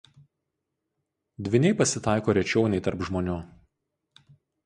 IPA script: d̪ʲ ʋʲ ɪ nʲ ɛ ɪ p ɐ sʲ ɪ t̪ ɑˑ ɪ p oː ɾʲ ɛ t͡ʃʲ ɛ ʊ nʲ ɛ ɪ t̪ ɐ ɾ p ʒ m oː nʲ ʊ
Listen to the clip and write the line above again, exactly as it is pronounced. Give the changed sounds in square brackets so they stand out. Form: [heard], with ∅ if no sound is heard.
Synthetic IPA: d̪ʲ ʋʲ ɪ nʲ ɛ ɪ p ɐ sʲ ɪ t̪ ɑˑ ɪ [k] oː ɾʲ ɛ t͡ʃʲ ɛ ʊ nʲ ɛ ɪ t̪ ɐ ɾ p ʒ m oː nʲ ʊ